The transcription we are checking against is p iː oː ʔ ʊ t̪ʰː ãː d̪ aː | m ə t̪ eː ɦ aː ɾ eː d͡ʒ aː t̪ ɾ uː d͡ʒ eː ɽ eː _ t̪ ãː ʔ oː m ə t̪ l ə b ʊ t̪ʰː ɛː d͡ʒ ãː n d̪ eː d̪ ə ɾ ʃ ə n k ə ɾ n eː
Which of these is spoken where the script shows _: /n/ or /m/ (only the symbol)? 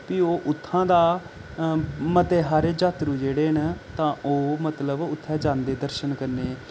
n